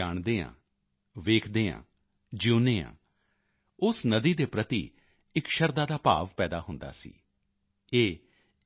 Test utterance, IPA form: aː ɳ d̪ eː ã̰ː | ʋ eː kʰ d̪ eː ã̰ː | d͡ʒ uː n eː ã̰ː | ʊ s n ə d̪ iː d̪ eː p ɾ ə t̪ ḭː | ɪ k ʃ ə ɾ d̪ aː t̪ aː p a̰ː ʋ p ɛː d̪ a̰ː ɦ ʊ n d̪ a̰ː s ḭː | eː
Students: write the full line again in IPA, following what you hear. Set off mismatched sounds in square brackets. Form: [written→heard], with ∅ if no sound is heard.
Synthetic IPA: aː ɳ d̪ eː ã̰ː | ʋ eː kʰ d̪ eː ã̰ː | d͡ʒ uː n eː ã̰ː | ʊ s n ə d̪ iː d̪ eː p ɾ ə t̪ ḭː | ɪ k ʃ ə ɾ d̪ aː [t̪→d̪] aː p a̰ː ʋ p ɛː d̪ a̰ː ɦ ʊ n d̪ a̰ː s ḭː | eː